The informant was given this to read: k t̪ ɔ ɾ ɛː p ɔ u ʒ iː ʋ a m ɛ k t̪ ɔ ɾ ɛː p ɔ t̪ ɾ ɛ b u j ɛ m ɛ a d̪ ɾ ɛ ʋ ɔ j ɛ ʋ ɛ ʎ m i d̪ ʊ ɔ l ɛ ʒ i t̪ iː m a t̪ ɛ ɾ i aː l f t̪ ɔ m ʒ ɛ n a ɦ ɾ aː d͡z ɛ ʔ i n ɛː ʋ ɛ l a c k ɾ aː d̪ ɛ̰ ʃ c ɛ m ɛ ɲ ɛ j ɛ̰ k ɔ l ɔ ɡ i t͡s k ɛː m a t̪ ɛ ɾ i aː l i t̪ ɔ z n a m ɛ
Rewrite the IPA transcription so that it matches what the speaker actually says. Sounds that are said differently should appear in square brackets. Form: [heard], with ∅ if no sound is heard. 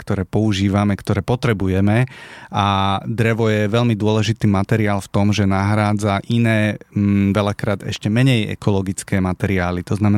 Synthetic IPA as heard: k t̪ ɔ ɾ ɛː p ɔ u ʒ iː ʋ a m ɛ k t̪ ɔ ɾ ɛː p ɔ t̪ ɾ ɛ b u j ɛ m ɛ a d̪ ɾ ɛ ʋ ɔ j ɛ ʋ ɛ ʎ m i d̪ ʊ ɔ l ɛ ʒ i t̪ iː m a t̪ ɛ ɾ i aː l f t̪ ɔ m ʒ ɛ n a ɦ ɾ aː d͡z [a] ʔ i n ɛː ʋ ɛ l a [∅] k ɾ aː d̪ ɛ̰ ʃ c ɛ m ɛ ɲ ɛ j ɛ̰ k ɔ l ɔ ɡ i t͡s k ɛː m a t̪ ɛ ɾ i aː l i t̪ ɔ z n a m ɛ